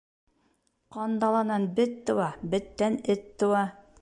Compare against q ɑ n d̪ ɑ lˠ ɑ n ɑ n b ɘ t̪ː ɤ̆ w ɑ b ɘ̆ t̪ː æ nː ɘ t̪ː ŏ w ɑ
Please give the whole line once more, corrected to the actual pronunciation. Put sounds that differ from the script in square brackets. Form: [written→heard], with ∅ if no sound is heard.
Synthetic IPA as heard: q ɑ n d̪ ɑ lˠ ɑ n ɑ n b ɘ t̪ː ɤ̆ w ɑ b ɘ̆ t̪ː æ [nː→n] ɘ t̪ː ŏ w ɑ